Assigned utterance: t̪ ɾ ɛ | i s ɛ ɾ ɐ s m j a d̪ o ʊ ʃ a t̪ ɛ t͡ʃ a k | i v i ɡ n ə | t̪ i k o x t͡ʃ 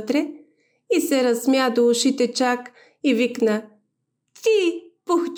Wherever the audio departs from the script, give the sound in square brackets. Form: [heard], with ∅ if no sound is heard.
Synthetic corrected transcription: t̪ ɾ ɛ | i s ɛ ɾ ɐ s m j a d̪ o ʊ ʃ [i] t̪ ɛ t͡ʃ a k | i v i [k] n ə | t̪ i [p] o x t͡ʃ